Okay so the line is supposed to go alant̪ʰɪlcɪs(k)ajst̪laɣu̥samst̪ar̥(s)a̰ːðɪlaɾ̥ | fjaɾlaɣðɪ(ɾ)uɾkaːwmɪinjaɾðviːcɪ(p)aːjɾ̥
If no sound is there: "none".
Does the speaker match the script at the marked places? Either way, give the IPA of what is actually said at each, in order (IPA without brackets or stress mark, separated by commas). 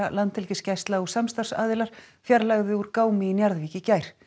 c, s, none, c